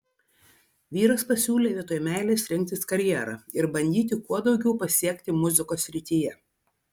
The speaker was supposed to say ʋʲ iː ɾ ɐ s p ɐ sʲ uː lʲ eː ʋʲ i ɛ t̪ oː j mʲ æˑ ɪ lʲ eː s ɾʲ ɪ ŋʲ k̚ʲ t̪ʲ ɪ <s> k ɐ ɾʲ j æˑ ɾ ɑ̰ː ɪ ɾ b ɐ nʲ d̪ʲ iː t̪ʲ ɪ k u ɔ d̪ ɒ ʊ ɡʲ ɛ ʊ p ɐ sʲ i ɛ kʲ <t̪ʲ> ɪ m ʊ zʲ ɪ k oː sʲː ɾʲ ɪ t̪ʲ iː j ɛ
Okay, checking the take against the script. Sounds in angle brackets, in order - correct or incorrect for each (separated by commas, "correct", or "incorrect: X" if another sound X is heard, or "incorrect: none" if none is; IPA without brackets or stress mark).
correct, correct